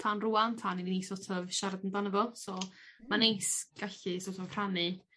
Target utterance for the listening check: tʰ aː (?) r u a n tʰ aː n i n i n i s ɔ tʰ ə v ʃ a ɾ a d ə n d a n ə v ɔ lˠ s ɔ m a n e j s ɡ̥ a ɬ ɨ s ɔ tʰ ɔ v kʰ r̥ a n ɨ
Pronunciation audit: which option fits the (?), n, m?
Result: n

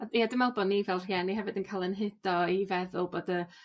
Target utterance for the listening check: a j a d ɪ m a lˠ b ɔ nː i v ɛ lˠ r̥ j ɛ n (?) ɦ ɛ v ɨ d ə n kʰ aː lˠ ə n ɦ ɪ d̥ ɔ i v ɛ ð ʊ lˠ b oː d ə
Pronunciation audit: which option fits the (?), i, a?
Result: i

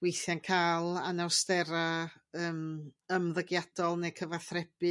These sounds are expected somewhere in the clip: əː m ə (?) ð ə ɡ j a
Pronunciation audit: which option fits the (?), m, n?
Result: m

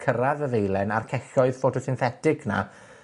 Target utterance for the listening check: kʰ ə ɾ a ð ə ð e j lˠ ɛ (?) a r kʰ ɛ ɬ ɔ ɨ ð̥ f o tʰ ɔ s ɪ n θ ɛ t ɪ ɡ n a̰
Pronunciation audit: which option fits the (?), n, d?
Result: n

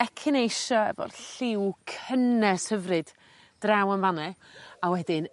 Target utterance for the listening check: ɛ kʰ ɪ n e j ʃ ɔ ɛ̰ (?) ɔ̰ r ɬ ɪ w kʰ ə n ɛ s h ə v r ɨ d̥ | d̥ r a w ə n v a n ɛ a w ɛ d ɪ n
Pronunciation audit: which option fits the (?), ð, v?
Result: v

